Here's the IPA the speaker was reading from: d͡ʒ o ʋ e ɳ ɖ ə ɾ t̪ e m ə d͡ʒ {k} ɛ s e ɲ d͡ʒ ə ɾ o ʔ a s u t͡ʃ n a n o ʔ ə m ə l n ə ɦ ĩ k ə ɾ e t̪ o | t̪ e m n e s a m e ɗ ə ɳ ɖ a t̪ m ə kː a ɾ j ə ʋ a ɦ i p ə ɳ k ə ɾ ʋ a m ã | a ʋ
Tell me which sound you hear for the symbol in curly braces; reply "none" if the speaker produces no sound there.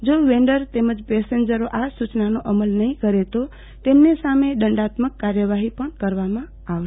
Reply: p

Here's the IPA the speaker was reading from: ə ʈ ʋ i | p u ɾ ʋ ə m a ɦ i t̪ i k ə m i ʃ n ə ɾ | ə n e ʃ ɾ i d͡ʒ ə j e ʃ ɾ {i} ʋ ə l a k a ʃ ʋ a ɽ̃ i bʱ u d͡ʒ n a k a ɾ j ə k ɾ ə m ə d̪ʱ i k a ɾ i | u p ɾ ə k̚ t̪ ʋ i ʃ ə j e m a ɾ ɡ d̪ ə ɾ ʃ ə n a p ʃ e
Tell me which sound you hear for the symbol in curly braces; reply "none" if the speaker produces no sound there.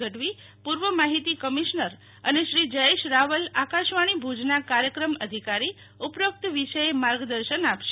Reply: a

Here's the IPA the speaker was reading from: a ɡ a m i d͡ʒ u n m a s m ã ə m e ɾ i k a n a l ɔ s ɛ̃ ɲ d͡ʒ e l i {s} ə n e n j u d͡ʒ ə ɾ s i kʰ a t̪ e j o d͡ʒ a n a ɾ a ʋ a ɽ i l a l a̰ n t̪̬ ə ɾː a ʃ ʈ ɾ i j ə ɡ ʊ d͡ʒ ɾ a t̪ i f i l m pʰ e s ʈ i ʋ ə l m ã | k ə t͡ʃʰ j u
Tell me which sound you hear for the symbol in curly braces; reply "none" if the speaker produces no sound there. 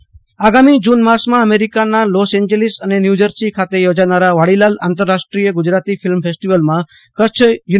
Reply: s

